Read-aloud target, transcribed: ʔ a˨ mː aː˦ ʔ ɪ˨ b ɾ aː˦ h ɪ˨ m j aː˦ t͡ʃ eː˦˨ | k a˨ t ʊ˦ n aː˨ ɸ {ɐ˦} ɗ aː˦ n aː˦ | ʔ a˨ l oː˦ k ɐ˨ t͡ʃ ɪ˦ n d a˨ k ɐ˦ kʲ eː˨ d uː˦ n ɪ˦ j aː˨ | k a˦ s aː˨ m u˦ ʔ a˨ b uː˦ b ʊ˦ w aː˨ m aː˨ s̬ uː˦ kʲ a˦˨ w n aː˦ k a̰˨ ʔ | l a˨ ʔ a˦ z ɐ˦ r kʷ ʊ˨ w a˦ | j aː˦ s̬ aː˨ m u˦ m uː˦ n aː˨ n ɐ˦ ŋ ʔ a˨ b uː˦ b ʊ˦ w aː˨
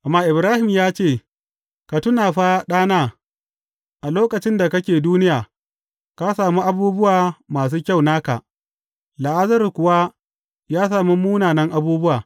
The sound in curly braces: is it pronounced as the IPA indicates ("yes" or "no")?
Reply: no